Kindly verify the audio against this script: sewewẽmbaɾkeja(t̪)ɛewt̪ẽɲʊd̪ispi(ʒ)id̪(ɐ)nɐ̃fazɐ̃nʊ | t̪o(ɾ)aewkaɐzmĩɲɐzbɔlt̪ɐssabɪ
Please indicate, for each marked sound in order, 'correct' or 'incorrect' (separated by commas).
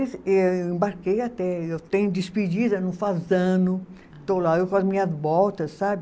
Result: correct, incorrect, correct, incorrect